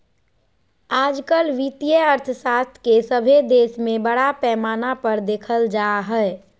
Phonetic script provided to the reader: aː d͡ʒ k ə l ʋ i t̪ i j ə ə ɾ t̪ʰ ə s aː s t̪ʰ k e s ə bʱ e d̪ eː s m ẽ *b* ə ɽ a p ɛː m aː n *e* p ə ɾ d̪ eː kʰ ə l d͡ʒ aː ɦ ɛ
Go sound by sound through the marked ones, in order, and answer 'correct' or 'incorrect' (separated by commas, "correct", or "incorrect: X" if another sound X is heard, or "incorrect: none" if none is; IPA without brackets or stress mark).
correct, incorrect: a